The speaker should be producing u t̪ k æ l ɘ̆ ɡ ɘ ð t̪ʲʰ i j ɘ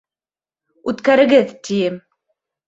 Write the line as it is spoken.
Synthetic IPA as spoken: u t̪ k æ ɾ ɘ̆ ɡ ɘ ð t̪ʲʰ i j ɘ